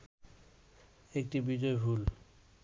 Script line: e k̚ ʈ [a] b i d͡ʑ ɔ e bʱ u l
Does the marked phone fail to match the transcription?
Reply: yes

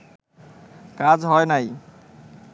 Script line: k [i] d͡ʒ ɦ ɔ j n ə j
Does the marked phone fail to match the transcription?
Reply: yes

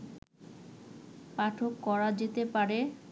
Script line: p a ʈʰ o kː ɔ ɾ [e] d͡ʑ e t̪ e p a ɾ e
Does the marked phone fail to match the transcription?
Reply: yes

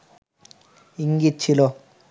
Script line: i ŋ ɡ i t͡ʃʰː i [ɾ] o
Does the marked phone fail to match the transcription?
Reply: yes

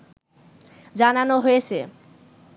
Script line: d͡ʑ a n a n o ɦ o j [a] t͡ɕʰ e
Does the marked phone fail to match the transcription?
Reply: yes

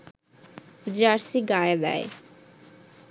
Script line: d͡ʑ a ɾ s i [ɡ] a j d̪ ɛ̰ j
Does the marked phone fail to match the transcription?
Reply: no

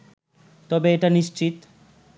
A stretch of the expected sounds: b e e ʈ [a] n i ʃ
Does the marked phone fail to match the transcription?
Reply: no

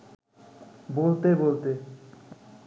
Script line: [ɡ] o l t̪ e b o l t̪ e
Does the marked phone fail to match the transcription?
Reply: yes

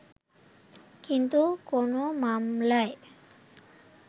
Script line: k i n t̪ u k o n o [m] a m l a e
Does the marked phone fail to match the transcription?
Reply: no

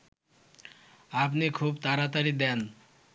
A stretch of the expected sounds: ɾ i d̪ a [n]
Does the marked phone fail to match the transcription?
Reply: no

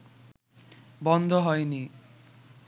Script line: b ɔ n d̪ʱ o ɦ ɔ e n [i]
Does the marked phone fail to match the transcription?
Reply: no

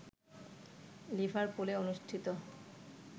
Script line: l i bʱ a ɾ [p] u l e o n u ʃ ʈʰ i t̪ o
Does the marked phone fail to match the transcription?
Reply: no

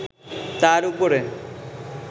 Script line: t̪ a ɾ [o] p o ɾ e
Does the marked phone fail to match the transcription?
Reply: yes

